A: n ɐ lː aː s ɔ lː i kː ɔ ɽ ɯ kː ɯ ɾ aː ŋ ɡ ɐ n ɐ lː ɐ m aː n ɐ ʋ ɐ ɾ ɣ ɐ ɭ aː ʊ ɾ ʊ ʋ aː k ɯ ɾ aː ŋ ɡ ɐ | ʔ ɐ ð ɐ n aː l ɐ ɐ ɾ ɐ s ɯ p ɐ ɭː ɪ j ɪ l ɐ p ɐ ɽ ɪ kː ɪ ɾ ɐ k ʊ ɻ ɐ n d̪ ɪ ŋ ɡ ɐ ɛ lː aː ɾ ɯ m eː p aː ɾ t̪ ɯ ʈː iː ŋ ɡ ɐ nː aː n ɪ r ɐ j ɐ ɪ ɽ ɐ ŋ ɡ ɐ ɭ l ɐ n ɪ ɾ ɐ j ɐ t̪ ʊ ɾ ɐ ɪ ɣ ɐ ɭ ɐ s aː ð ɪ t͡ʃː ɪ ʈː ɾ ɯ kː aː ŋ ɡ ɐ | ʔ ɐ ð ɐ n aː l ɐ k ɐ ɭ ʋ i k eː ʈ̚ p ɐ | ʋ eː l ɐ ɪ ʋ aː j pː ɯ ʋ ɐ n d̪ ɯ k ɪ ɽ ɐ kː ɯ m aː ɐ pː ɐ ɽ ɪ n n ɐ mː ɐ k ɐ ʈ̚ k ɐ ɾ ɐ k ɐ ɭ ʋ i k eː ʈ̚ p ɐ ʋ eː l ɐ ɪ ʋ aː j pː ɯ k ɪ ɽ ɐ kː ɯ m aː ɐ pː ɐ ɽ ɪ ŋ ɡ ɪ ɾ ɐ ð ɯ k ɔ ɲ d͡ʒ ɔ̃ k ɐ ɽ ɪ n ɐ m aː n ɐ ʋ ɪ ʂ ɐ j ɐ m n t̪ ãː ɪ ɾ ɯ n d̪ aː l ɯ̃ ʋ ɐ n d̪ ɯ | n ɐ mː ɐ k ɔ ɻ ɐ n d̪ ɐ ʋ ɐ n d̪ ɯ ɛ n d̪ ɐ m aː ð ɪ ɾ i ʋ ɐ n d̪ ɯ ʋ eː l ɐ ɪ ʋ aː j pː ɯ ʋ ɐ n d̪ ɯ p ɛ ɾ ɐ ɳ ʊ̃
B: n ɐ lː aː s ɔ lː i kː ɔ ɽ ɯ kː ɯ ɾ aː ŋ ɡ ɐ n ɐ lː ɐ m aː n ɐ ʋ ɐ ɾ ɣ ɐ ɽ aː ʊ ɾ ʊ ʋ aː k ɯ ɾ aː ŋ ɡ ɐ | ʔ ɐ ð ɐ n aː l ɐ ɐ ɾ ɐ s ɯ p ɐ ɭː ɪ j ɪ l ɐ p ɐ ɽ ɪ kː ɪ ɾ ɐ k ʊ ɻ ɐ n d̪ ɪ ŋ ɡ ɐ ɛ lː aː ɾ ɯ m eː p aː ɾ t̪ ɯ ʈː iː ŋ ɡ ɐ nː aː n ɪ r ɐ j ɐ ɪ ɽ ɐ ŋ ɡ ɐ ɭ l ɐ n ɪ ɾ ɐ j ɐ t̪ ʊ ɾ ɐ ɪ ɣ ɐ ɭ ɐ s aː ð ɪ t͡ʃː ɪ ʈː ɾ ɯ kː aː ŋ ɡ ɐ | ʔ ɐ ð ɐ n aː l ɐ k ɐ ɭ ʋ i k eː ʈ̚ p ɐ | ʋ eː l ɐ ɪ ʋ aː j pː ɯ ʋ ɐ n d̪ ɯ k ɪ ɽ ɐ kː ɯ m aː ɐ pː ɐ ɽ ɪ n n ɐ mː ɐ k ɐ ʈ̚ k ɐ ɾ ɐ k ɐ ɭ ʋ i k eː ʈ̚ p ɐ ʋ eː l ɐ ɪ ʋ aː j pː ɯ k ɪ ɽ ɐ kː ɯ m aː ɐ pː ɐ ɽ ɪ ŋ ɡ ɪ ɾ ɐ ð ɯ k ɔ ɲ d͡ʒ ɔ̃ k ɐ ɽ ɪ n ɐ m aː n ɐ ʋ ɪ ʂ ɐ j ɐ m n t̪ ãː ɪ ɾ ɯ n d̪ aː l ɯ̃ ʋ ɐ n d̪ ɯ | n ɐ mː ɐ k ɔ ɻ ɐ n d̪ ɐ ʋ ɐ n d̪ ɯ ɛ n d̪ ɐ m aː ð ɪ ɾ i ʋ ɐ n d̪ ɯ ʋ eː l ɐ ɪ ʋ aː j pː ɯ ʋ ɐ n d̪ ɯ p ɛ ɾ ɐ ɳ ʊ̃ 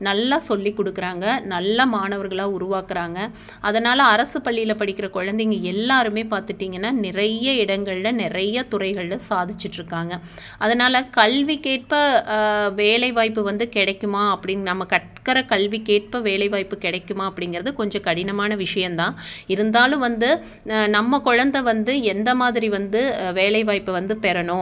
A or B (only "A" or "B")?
A